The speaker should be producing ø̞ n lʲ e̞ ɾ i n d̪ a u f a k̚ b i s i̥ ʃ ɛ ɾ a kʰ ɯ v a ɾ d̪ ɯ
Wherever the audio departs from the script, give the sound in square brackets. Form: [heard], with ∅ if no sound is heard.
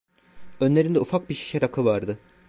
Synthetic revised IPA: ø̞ n lʲ e̞ ɾ i n d̪ [ɛ] u f a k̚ b i [ʃ] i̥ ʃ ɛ ɾ a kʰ ɯ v a ɾ d̪ ɯ